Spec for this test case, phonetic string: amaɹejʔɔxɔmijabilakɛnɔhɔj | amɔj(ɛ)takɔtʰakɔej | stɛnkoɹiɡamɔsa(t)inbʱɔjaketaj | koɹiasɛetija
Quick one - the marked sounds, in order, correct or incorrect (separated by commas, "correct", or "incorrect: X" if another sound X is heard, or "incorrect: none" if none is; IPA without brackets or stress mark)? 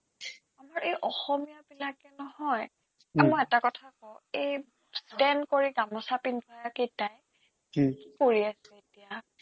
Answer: correct, incorrect: p